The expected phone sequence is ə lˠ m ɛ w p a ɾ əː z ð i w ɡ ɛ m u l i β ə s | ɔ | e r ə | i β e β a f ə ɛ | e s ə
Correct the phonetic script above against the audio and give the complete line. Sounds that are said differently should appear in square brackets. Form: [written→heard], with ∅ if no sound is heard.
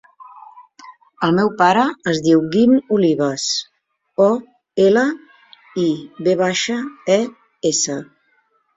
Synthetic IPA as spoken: ə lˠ m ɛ w p a ɾ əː z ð i w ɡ [ɛ→i] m u l i β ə s | ɔ | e [r→l] ə | i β e β a [f→ʃ] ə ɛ | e s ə